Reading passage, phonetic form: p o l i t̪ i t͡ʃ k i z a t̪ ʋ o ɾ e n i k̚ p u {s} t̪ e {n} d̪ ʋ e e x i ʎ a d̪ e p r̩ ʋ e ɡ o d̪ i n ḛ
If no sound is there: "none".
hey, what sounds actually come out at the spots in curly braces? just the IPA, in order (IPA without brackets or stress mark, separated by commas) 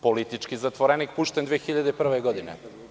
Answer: ʃ, n